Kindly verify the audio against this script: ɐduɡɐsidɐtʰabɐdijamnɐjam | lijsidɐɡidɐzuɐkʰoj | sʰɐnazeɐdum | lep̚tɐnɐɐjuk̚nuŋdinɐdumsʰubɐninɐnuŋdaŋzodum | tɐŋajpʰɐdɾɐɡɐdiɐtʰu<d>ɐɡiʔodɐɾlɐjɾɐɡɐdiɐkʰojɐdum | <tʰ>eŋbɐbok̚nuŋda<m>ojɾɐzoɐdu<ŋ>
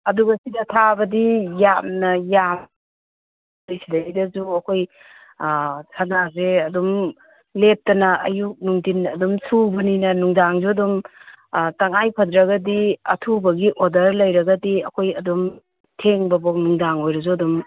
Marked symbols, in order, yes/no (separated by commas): no, yes, no, no